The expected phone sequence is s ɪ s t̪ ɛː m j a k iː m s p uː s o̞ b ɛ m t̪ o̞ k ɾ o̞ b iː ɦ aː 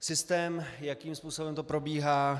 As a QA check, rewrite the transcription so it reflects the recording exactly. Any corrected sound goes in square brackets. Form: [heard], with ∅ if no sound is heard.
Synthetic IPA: s ɪ s t̪ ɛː m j a k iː m s p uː s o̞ b ɛ m t̪ o̞ [p] ɾ o̞ b iː ɦ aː

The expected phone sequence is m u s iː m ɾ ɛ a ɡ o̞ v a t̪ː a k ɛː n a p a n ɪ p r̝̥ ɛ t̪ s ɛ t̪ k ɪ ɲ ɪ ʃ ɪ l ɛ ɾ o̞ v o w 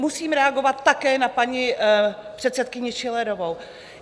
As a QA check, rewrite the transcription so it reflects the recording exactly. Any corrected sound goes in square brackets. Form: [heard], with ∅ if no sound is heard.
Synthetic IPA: m u s iː m ɾ ɛ a ɡ o̞ v a t̪ː a k ɛː n a p a [ɲ] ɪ p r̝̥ ɛ t̪ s ɛ t̪ k ɪ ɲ ɪ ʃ ɪ l ɛ ɾ o̞ v o w

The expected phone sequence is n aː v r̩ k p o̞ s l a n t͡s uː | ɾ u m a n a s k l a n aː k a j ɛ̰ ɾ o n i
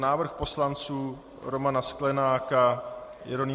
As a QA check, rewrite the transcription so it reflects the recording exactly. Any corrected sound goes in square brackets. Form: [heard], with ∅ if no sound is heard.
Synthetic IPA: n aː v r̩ [x] p o̞ s l a n t͡s uː | ɾ [o] m a n a s k l [ɛ] n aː k a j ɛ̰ ɾ o n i

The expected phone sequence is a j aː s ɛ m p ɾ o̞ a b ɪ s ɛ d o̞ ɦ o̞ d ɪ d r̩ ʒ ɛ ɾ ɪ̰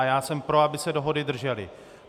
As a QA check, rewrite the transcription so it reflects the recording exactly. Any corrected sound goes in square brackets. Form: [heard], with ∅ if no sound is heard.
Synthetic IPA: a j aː s ɛ m p ɾ o̞ a b ɪ s ɛ d o̞ ɦ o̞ d ɪ d r̩ ʒ ɛ [l] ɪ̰

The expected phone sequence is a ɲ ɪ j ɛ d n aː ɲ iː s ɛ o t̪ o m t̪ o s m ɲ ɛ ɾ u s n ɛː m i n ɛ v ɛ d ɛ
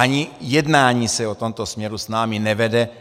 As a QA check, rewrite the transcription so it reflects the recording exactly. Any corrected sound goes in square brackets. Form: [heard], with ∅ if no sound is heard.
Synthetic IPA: a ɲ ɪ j ɛ d n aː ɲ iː s ɛ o t̪ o m t̪ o s m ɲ ɛ ɾ u s n [aː] m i n ɛ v ɛ d ɛ

